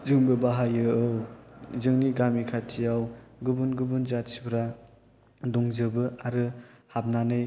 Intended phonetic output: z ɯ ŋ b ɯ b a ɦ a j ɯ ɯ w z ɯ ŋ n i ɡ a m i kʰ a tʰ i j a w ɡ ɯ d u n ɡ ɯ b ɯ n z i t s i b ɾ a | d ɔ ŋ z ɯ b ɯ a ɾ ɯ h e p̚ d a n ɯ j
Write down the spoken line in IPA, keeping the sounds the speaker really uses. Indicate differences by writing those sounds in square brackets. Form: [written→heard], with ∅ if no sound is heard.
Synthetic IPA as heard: z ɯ ŋ b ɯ b a ɦ a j ɯ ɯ w z ɯ ŋ n i ɡ a m i kʰ a tʰ i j a w ɡ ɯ [d→b] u n ɡ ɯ b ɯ n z [i→a] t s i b ɾ a | d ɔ ŋ z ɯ b ɯ a ɾ ɯ h [e→a] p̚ [d→n] a n ɯ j